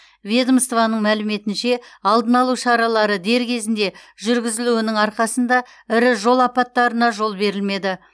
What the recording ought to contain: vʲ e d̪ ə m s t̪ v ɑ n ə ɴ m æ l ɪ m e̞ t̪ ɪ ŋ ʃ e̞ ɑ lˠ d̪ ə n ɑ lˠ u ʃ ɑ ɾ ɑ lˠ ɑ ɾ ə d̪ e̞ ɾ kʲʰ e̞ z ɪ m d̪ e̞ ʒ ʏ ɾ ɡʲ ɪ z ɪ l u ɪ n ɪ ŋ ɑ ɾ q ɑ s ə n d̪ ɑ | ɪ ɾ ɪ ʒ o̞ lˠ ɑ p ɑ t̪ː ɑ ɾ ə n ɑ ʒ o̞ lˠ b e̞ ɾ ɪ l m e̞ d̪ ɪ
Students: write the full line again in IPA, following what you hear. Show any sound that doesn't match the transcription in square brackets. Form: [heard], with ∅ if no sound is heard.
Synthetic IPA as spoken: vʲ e d̪ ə m s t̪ v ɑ n ə ɴ m æ l ɪ m e̞ t̪ ɪ [n] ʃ e̞ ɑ lˠ d̪ ə n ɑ lˠ u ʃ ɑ ɾ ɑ lˠ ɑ ɾ ə d̪ e̞ ɾ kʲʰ e̞ z ɪ [n] d̪ e̞ ʒ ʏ ɾ ɡʲ ɪ z ɪ l u ɪ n ɪ ŋ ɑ ɾ q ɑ s ə n d̪ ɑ | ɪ ɾ ɪ ʒ o̞ lˠ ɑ p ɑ t̪ː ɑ ɾ ə n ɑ ʒ o̞ lˠ b e̞ ɾ ɪ l m e̞ d̪ ɪ